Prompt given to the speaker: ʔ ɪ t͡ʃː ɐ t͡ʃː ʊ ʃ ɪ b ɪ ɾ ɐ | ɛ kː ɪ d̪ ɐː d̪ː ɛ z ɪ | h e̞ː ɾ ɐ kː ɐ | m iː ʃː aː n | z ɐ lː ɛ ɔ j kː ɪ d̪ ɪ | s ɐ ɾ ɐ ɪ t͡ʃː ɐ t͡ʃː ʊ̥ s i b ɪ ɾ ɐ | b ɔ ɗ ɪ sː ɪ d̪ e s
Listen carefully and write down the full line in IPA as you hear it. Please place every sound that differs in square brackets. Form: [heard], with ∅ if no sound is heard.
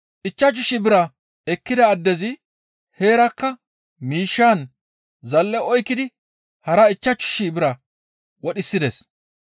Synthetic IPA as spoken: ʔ ɪ t͡ʃː ɐ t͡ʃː ʊ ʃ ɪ b ɪ ɾ ɐ | ɛ kː ɪ d̪ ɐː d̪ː ɛ z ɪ | h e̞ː ɾ ɐ kː ɐ | m iː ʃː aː n | z ɐ lː ɛ ɔ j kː ɪ d̪ ɪ | [h] ɐ ɾ ɐ ɪ t͡ʃː ɐ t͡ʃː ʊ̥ [ʃ] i b ɪ ɾ ɐ | [w] ɔ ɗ ɪ sː ɪ d̪ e s